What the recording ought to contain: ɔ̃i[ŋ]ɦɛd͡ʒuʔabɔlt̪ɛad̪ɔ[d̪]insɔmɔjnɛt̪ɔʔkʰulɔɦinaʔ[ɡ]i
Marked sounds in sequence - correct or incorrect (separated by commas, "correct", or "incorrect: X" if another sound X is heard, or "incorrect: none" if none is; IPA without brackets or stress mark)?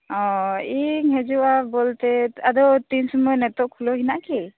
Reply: correct, incorrect: t̪, incorrect: k